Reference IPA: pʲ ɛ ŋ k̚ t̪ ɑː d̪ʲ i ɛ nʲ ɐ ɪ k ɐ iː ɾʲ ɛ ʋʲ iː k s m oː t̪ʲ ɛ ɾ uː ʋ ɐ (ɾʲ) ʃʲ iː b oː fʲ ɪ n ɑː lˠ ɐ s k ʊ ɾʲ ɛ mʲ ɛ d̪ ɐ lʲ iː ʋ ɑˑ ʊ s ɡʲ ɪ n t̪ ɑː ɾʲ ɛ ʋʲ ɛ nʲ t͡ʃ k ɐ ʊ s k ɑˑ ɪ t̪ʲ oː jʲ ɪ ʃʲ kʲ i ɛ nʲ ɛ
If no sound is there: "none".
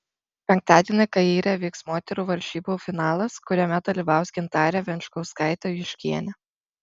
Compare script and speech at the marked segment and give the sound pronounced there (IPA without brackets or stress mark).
ɾʲ